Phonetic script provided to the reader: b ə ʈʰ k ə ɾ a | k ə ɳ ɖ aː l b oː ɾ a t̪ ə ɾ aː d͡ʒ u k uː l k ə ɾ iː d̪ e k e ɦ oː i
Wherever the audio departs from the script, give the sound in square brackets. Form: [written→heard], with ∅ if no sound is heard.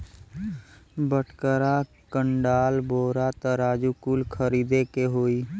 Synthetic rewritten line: b ə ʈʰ k ə ɾ a | k ə ɳ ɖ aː l b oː ɾ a t̪ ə ɾ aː d͡ʒ u k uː l [k→kʰ] ə ɾ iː d̪ e k e ɦ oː i